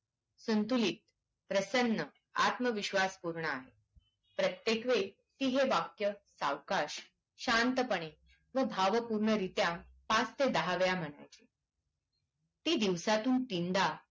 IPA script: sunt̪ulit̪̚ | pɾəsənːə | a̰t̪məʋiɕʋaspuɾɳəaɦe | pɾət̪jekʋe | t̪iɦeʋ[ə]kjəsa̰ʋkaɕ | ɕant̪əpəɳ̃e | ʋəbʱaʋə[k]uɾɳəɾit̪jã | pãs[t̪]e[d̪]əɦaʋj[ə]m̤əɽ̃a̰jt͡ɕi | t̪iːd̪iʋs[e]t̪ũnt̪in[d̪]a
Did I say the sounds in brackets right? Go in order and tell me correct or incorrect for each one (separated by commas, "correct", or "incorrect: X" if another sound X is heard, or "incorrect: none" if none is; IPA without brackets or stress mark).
incorrect: a, incorrect: p, correct, correct, incorrect: a, incorrect: a, correct